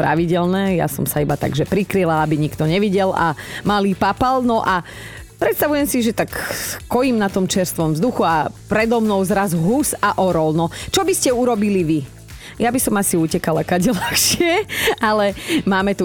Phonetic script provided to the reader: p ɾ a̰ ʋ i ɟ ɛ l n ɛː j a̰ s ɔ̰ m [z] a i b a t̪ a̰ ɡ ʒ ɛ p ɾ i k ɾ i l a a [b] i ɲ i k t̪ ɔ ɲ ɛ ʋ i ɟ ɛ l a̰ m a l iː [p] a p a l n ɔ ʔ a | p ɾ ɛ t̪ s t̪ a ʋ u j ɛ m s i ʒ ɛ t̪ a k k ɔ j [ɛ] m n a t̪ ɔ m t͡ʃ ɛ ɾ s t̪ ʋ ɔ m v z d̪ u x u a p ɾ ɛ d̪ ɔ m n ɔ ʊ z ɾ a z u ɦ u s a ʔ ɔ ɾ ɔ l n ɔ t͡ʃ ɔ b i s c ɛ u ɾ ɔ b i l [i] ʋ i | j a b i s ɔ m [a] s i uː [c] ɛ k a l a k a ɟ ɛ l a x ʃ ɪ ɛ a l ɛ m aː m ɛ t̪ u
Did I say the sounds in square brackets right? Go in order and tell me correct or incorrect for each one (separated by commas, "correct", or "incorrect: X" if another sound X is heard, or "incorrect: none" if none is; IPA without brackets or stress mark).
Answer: incorrect: s, correct, correct, incorrect: i, correct, correct, correct